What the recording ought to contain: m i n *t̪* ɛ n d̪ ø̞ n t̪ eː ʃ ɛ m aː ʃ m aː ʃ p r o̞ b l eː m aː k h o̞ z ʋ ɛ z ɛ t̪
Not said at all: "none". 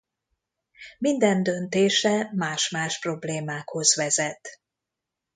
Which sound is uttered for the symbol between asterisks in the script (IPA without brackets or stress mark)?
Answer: d̪